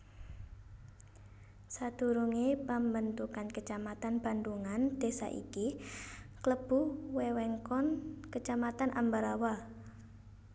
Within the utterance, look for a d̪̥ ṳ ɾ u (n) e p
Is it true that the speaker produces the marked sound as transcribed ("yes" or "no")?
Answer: no